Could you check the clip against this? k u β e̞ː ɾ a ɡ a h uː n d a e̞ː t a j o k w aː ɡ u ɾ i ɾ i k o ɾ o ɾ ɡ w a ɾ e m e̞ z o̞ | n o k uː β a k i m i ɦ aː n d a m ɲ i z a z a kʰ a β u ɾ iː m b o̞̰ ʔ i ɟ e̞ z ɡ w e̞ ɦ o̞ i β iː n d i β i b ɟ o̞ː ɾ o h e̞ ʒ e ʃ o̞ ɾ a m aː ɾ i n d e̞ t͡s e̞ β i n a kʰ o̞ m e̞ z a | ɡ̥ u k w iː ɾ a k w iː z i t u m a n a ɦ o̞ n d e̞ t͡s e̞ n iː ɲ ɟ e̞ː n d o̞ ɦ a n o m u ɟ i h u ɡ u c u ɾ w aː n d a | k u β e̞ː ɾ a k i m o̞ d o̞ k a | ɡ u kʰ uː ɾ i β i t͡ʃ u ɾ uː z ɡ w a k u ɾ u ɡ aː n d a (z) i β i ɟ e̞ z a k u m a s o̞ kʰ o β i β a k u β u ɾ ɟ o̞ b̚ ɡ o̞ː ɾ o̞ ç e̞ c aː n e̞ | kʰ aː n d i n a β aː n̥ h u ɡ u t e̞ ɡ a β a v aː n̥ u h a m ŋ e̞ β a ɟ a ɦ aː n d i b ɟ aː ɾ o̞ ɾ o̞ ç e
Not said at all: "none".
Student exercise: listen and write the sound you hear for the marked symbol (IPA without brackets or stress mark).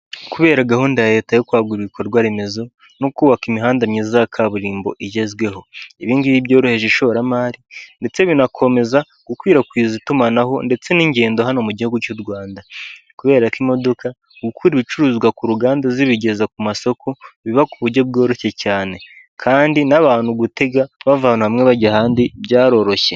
z